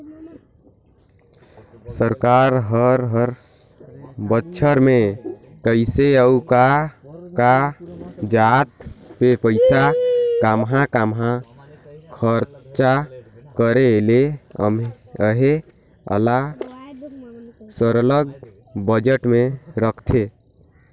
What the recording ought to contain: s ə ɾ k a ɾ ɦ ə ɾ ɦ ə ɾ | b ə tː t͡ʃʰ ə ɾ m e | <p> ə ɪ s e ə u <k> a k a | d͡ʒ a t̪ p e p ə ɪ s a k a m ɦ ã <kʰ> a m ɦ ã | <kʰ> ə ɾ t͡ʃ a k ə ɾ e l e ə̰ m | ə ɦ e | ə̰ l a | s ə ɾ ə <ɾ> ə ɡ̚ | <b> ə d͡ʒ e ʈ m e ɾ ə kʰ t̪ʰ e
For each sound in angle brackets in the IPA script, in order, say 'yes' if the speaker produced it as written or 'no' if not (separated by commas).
no, yes, no, yes, no, yes